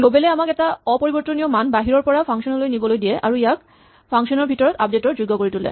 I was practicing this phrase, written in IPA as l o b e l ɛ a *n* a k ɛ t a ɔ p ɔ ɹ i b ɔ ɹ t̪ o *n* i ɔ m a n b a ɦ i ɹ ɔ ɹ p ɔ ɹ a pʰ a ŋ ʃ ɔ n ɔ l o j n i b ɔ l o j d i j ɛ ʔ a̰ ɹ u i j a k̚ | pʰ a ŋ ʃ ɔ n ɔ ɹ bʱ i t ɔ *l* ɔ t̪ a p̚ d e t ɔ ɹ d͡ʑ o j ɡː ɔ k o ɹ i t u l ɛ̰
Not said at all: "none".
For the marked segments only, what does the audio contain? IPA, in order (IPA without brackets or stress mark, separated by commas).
m, n, ɹ